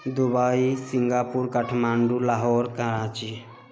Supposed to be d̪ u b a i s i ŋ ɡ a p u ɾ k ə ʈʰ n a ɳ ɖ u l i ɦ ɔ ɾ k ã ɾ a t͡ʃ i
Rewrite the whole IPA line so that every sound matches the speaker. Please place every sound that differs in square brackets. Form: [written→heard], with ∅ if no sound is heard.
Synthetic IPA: d̪ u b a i s i ŋ ɡ a p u ɾ k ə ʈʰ [n→m] a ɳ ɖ u l [i→a] ɦ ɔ ɾ k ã ɾ a t͡ʃ i